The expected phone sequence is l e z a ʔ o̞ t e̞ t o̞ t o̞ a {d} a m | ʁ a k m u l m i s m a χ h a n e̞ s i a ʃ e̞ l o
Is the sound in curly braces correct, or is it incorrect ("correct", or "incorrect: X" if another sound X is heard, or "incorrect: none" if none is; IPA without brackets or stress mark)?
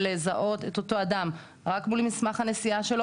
correct